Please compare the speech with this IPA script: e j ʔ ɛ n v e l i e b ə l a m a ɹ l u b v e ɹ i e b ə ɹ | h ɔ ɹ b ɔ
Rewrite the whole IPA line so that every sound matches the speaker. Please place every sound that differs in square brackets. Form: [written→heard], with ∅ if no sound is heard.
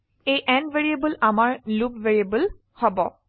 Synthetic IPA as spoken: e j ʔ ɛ n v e [l→ɹ] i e b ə l a m a ɹ l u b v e ɹ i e b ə [ɹ→l] | h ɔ [ɹ→∅] b ɔ